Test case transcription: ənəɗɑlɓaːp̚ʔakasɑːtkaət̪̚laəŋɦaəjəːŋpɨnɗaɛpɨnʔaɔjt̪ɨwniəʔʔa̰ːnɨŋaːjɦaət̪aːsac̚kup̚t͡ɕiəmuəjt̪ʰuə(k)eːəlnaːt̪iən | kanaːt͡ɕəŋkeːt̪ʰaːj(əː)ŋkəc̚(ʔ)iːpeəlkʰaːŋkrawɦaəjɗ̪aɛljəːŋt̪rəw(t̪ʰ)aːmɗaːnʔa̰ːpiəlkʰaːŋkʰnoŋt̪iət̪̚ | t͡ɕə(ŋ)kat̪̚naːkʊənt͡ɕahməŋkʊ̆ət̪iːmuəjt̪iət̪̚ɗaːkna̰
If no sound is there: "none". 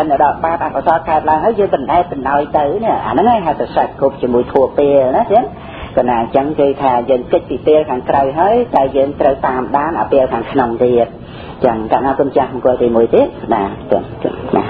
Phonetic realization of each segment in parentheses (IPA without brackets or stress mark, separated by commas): p, əː, p, t̪, ŋ